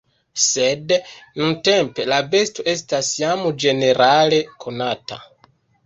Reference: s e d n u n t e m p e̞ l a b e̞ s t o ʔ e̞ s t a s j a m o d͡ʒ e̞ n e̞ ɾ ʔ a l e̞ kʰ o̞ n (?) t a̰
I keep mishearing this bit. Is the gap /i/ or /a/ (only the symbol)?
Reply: a